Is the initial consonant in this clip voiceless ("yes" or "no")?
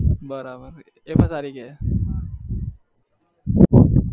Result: no